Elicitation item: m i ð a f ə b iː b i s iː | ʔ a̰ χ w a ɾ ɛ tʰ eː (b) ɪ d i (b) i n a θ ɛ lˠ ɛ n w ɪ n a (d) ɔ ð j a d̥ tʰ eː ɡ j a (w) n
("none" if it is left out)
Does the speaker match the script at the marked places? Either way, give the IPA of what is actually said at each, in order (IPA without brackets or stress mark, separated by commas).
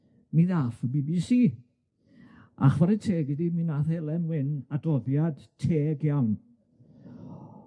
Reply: ɡ, m, d, w